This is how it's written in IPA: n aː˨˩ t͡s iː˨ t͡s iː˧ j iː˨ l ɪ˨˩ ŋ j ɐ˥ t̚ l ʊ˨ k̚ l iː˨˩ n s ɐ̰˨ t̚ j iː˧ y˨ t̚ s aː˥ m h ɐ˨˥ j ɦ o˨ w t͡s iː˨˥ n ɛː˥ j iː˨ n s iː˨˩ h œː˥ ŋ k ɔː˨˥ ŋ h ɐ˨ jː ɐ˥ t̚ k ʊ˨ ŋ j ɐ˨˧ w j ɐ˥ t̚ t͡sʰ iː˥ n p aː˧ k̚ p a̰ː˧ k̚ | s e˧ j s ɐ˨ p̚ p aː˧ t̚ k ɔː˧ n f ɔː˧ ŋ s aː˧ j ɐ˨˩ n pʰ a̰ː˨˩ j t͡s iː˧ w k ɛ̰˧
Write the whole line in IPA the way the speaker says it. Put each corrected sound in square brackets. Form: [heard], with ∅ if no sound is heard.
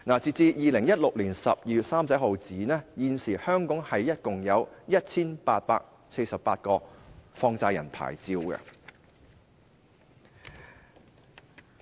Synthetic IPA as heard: n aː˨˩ t͡s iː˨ t͡s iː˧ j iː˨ l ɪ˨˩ ŋ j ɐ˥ t̚ l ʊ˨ k̚ l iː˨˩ n s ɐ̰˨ [p̚] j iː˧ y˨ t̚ s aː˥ m [s] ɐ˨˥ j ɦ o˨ w t͡s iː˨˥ n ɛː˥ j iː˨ n s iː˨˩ h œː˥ ŋ k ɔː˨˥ ŋ h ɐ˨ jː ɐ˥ t̚ k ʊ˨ ŋ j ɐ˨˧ w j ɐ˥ t̚ t͡sʰ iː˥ n p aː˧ [t̚] p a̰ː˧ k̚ | s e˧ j s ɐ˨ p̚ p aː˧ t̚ k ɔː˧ [∅] f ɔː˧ ŋ [t͡s] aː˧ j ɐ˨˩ n pʰ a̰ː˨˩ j t͡s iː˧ w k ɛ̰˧